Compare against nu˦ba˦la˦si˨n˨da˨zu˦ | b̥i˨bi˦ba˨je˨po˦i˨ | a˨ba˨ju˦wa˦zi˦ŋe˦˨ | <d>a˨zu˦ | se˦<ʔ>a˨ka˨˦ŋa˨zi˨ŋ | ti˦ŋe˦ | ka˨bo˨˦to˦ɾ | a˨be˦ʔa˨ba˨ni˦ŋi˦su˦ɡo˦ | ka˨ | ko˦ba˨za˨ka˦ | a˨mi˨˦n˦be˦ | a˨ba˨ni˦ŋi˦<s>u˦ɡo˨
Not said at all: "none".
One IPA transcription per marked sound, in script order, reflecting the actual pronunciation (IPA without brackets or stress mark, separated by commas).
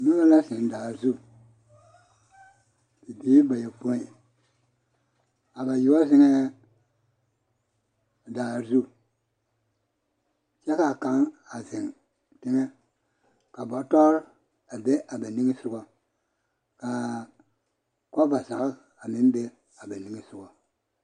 d, k, s